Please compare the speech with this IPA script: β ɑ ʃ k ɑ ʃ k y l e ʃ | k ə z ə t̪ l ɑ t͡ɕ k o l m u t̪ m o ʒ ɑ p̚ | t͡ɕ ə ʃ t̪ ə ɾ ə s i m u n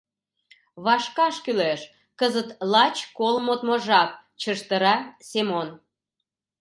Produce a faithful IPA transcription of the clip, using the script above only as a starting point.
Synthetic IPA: β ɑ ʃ k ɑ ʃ k y l e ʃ | k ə z ə t̪ l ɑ t͡ɕ k o l m o t̪ m o ʒ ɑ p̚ | t͡ɕ ə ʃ t̪ ə ɾ ɑ s e m o n